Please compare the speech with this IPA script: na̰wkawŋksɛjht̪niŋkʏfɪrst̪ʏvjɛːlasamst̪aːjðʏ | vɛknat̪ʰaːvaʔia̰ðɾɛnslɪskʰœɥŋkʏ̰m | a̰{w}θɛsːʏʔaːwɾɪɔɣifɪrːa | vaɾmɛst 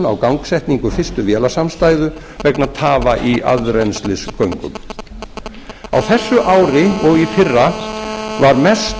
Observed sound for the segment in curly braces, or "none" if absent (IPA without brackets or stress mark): w